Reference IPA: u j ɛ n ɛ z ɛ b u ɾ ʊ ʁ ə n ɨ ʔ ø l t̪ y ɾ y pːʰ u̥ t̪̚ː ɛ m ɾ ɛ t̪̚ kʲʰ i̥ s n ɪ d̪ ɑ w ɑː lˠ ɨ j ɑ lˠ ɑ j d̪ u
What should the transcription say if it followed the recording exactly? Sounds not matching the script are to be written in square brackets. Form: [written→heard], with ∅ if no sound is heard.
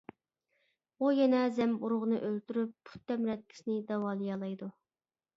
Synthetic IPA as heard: u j ɛ n ɛ z ɛ [b→m] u ɾ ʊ ʁ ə n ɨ ʔ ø l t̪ y ɾ y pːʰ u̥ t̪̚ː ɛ m ɾ ɛ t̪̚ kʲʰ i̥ s n ɪ d̪ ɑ w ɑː lˠ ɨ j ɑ lˠ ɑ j d̪ u